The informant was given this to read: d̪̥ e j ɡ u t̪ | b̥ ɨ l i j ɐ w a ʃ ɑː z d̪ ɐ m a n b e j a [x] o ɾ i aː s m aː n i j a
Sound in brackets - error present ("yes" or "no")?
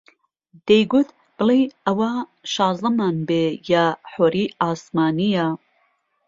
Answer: yes